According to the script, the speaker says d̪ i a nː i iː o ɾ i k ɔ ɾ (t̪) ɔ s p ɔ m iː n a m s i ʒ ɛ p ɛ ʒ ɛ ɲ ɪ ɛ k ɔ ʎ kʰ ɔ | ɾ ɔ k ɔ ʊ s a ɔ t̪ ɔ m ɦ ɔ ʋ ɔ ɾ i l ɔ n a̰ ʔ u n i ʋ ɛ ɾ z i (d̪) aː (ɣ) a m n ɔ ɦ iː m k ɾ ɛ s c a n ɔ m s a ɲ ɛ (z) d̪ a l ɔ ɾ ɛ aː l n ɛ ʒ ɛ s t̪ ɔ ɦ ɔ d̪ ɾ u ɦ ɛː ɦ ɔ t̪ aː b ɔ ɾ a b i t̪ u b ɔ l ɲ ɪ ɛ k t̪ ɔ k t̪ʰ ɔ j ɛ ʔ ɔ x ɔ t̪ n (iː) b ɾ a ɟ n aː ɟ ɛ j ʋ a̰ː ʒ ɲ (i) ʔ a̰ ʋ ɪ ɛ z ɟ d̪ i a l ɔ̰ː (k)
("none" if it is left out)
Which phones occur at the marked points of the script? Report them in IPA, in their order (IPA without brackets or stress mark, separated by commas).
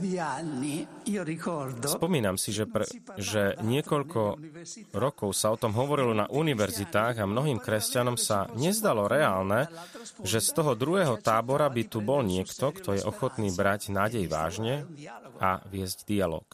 d̪, t̪, ɣ, z, iː, ɛ, k